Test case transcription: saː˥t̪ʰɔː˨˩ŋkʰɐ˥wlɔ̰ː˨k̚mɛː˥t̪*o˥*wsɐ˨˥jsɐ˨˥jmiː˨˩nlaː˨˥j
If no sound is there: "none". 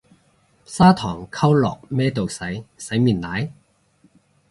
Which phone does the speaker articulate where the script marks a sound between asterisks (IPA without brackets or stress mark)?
o˨